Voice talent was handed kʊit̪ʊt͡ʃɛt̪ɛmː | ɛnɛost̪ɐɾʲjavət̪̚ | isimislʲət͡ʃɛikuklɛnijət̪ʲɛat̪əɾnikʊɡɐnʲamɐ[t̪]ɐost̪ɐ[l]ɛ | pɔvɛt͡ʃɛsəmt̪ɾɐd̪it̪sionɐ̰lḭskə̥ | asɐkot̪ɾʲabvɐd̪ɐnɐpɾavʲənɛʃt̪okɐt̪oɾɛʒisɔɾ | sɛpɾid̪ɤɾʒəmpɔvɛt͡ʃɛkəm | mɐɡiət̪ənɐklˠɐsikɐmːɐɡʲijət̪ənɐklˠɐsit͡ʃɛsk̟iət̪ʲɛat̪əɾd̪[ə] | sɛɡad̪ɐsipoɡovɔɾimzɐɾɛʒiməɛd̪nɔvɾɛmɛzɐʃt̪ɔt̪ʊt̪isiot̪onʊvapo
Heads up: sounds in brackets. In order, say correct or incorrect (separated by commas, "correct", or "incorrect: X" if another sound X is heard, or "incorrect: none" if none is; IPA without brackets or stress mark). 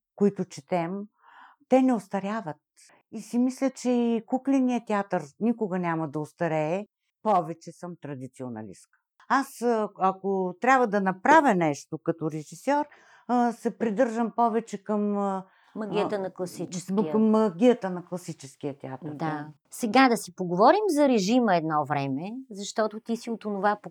incorrect: d̪, incorrect: ɾ, incorrect: a